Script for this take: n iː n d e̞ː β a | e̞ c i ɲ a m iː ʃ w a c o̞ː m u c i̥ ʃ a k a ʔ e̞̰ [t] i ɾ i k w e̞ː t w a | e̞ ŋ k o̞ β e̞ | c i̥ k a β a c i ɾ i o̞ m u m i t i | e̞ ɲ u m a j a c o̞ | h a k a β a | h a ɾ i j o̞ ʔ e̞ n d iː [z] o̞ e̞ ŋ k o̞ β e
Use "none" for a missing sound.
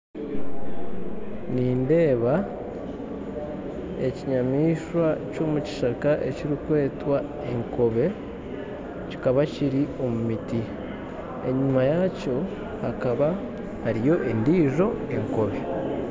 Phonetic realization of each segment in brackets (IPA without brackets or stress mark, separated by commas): c, ʒ